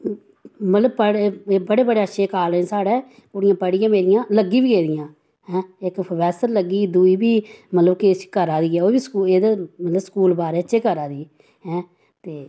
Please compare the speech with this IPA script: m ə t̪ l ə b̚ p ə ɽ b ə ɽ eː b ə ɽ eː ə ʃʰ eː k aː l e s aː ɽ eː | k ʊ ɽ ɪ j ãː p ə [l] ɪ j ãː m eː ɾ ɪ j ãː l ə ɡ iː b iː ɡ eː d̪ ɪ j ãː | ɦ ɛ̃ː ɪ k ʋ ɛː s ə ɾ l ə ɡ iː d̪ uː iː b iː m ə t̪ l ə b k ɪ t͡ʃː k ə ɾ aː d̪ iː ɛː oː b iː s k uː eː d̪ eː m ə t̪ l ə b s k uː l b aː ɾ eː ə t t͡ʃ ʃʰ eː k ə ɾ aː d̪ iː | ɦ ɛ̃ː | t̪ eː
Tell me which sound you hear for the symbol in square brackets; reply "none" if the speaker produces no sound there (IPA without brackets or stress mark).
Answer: ɽ